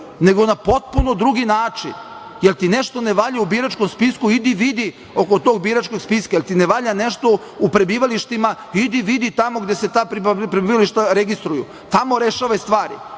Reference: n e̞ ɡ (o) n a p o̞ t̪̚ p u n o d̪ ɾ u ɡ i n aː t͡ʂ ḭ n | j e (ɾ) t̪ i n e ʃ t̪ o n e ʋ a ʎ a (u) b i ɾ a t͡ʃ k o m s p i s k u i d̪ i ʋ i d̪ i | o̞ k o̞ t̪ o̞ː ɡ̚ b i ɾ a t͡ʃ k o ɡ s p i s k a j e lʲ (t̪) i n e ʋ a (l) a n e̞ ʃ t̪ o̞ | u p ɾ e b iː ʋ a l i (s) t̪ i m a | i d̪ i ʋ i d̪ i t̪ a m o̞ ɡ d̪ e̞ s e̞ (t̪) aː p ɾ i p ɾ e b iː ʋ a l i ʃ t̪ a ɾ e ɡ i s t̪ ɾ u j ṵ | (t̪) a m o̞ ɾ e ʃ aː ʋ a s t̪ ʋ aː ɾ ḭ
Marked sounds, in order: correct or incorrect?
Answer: correct, incorrect: l, correct, correct, incorrect: ʎ, incorrect: ʃ, correct, correct

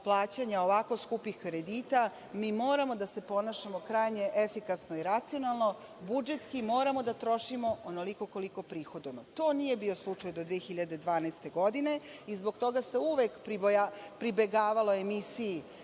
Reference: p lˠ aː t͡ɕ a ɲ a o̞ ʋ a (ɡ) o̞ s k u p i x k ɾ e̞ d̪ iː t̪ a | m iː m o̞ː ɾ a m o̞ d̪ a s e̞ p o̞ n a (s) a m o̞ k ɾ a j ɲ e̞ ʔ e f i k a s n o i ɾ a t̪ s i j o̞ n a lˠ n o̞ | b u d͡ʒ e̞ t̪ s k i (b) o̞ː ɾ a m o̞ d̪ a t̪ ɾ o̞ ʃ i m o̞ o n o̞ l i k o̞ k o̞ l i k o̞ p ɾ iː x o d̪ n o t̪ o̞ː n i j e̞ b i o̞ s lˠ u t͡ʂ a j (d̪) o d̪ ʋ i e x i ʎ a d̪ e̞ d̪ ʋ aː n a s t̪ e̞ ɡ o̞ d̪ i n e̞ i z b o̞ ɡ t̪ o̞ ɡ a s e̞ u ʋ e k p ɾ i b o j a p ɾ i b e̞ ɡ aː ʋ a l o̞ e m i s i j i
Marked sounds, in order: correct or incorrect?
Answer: incorrect: k, incorrect: ʃ, incorrect: m, correct

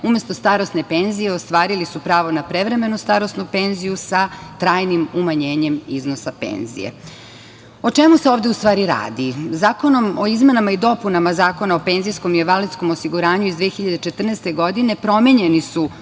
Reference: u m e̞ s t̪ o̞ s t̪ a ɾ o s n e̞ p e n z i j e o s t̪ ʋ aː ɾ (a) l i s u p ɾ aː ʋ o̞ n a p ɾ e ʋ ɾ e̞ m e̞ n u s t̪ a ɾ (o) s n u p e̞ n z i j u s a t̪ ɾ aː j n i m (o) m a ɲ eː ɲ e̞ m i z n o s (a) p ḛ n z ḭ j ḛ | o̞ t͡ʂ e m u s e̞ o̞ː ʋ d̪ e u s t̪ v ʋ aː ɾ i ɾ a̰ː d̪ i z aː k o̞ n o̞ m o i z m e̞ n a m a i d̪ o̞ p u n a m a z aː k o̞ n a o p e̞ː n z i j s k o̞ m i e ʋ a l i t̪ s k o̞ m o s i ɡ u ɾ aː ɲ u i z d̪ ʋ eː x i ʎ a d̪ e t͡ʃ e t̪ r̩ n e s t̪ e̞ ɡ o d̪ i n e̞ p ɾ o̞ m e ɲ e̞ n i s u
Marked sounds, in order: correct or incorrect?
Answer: incorrect: i, correct, incorrect: u, correct

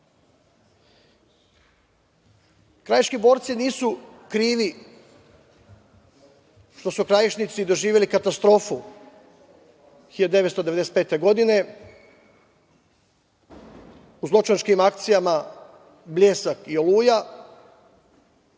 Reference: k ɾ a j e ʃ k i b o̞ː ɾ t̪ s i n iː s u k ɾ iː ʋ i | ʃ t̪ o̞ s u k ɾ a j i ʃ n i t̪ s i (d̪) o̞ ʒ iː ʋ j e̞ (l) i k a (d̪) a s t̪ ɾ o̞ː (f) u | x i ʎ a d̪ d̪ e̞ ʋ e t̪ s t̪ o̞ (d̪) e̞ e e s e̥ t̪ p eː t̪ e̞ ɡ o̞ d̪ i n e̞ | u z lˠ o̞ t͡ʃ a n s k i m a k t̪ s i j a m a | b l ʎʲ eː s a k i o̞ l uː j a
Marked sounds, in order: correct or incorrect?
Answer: correct, correct, incorrect: t̪, correct, correct

